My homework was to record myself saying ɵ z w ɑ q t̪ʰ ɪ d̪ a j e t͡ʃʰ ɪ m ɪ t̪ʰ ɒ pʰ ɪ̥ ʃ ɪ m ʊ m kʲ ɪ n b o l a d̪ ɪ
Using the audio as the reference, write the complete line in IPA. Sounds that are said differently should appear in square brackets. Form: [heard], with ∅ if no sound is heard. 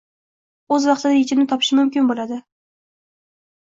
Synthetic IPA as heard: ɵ z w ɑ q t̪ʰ ɪ d̪ a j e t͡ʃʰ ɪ [n] ɪ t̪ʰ ɒ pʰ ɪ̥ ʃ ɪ m ʊ m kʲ ɪ n b o l a d̪ ɪ